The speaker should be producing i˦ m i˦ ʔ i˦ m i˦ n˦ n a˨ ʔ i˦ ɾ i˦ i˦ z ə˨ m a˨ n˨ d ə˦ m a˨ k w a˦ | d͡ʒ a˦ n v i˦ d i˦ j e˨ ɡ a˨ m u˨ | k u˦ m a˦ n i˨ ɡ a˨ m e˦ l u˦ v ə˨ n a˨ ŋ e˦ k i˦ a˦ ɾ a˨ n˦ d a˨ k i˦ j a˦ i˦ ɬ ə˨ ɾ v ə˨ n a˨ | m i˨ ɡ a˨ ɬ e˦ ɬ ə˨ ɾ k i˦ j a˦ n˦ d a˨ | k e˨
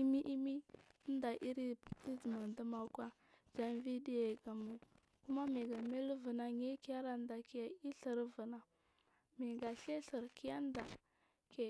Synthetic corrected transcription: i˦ m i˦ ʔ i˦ m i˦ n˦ d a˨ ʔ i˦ ɾ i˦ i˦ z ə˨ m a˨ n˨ d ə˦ m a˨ k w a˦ | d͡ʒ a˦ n v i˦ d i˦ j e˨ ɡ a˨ m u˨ | k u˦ m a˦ m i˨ ɡ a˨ m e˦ l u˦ v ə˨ n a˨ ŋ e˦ k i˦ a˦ ɾ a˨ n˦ d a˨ k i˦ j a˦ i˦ ɬ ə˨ ɾ v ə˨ n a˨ | m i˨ ɡ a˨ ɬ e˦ ɬ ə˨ ɾ k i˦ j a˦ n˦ d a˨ | k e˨